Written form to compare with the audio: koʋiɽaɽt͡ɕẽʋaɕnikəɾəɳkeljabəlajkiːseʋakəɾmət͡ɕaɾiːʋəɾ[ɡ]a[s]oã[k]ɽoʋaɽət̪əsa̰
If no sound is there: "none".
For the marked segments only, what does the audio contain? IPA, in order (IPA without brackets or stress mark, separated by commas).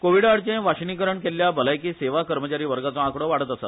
ɡ, t͡s, k